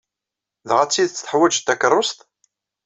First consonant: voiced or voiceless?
voiced